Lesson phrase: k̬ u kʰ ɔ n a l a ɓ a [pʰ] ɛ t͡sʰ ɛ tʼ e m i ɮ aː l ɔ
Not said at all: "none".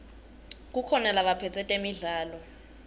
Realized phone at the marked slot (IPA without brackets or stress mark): pʰ